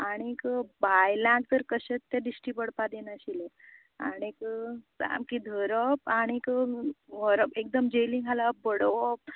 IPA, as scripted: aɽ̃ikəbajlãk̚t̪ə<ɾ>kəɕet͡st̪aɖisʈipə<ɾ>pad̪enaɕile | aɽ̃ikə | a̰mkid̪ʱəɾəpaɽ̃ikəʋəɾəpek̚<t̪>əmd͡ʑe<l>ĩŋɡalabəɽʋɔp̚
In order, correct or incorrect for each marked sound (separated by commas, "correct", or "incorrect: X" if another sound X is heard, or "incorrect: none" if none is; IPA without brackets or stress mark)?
correct, incorrect: ɽ, incorrect: d̪, correct